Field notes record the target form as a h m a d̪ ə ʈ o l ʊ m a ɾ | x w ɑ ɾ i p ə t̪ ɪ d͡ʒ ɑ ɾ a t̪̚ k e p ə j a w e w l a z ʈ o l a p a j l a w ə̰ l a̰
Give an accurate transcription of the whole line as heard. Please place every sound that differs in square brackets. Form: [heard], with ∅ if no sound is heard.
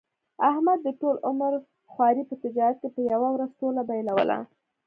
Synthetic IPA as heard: a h m a [d̪ː] ə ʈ o l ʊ m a ɾ | x w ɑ ɾ i p ə t̪ ɪ d͡ʒ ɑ ɾ a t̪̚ k e p ə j a w [a] w [ɾ] a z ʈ o l a [b] a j l a w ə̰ l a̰